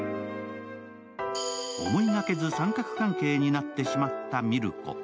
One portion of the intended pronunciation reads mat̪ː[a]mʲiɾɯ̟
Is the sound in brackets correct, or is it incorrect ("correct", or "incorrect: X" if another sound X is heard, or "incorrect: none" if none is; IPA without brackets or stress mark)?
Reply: correct